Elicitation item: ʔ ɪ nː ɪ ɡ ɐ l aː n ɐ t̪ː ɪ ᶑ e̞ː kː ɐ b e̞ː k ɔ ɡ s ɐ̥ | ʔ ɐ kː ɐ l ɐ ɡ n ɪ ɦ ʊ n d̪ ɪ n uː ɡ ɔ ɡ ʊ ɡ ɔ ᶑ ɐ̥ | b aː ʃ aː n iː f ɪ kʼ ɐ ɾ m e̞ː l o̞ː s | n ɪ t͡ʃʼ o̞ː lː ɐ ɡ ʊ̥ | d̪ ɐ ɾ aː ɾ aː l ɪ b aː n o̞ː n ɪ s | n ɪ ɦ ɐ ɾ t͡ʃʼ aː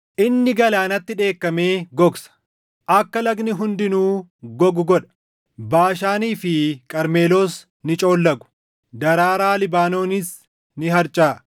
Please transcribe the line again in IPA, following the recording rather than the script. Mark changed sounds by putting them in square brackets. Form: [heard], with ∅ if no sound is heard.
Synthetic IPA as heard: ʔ ɪ nː ɪ ɡ ɐ l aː n ɐ t̪ː ɪ ᶑ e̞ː kː ɐ [m] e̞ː [ɡ] ɔ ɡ s ɐ̥ | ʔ ɐ kː ɐ l ɐ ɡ n ɪ ɦ ʊ n d̪ ɪ n uː ɡ ɔ ɡ ʊ ɡ ɔ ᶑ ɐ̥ | b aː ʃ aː n iː f ɪ kʼ ɐ ɾ m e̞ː l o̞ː s | n ɪ t͡ʃʼ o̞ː lː ɐ ɡ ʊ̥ | d̪ ɐ ɾ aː ɾ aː l ɪ b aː n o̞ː n ɪ s | n ɪ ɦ ɐ ɾ t͡ʃʼ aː